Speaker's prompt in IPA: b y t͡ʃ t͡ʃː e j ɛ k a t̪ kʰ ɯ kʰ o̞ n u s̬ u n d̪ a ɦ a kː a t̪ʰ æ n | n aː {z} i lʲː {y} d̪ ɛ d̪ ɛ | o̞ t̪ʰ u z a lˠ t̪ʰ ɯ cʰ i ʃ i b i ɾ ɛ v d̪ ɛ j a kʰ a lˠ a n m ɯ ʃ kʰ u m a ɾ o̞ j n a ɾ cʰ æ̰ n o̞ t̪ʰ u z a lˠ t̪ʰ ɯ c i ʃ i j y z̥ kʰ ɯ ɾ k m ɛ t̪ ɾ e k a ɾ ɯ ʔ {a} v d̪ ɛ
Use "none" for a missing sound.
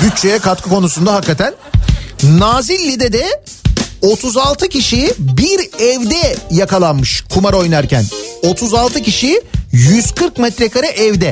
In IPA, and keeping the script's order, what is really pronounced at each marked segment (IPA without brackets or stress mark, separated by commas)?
z, i, ɛ